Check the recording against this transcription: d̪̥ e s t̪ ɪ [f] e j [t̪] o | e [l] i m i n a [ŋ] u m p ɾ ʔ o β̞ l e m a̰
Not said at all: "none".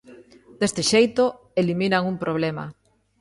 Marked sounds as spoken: ʃ, t̪, l, ŋ

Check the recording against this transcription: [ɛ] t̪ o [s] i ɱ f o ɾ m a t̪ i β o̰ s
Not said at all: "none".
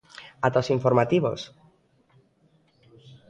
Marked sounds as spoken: a, s

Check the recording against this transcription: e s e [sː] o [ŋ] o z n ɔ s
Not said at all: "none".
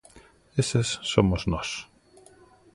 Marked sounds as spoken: sː, m

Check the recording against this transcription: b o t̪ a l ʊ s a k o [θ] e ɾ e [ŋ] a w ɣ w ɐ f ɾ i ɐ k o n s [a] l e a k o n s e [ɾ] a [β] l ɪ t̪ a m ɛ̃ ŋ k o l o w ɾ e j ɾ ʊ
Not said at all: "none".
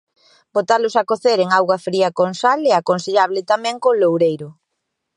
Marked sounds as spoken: θ, ŋ, a, ʎ, β

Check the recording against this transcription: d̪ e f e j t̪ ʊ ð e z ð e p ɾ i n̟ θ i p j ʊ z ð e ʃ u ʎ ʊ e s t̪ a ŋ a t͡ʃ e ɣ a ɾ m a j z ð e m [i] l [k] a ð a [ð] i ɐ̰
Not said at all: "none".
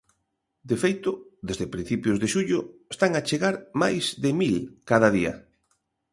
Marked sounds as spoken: i, k, ð

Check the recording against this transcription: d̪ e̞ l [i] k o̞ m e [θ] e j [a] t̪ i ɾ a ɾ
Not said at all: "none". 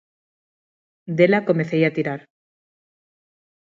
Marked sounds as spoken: a, θ, a

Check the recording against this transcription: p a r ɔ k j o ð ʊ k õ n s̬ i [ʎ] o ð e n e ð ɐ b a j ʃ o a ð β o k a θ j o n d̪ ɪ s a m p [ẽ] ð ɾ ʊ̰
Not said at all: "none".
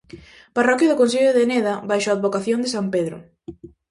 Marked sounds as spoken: ʎ, e

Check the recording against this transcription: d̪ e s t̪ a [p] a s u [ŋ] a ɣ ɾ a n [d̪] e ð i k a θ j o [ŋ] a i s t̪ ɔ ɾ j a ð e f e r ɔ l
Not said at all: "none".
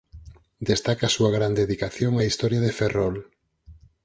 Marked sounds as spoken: k, none, d̪, ŋ

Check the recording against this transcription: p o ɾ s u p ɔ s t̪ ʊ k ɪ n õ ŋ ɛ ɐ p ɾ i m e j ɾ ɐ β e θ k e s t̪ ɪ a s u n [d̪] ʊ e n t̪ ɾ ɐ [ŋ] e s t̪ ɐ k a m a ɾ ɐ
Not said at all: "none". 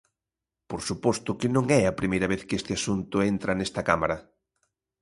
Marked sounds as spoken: t̪, n

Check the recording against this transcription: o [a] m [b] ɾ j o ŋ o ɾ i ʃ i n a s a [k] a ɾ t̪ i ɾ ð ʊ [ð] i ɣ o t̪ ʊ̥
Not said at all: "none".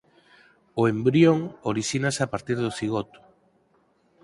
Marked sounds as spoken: e, b, p, θ

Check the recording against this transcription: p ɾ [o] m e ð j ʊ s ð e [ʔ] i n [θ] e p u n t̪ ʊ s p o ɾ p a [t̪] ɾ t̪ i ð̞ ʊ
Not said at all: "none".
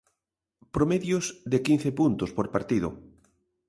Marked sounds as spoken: o, k, θ, none

